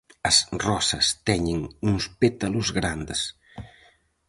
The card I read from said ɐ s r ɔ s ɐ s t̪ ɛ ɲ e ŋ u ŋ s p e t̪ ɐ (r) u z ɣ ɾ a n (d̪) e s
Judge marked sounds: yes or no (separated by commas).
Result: no, yes